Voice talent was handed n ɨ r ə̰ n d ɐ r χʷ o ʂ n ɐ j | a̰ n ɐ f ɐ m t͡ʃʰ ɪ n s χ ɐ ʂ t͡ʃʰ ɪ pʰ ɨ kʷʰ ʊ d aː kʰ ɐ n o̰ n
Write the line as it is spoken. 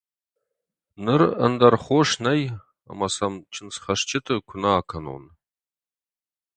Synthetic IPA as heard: n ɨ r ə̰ n d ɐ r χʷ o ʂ n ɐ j | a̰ m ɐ s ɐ m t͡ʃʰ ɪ n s χ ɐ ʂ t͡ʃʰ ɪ tʰ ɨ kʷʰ ʊ n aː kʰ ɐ n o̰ n